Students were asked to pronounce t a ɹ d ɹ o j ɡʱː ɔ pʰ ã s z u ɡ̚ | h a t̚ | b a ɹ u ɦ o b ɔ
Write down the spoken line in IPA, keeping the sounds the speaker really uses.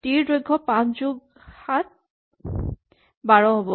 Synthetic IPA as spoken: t i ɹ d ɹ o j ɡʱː ɔ p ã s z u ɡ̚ | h a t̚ | b a ɹ ɔ ɦ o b ɔ